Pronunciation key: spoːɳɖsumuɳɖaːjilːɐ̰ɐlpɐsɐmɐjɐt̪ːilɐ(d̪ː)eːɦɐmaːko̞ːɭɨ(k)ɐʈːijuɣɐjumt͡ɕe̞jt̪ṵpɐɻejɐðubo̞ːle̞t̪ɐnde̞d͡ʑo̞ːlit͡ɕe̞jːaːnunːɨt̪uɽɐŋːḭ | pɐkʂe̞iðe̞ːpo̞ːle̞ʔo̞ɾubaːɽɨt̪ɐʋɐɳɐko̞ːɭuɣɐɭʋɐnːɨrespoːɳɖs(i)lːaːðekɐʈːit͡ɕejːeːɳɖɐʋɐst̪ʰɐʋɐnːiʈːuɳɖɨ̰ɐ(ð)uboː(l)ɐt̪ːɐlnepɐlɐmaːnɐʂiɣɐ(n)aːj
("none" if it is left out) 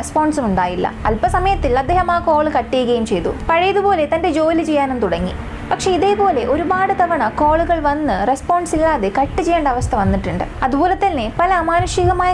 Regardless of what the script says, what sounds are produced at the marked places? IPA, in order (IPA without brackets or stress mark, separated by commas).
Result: d̪ː, k, i, ð, l, m